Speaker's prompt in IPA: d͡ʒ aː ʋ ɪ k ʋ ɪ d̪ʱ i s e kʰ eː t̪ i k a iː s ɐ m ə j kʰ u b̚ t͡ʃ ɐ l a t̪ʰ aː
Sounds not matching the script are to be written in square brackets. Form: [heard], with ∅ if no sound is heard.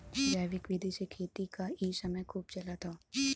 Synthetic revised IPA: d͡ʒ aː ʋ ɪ k ʋ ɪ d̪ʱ i s e kʰ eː t̪ i k a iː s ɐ m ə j kʰ [uː] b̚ t͡ʃ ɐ l a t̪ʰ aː